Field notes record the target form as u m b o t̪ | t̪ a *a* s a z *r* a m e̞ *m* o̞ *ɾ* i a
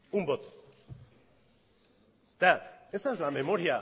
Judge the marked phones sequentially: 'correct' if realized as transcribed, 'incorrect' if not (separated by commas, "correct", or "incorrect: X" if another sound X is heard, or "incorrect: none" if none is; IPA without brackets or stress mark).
incorrect: e, incorrect: l, correct, correct